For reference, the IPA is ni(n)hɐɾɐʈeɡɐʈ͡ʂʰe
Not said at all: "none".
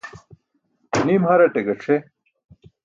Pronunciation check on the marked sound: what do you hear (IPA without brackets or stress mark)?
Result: m